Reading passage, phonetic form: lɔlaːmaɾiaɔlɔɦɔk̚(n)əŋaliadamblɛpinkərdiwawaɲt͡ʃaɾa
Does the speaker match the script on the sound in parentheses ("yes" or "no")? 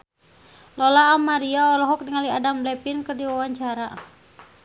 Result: no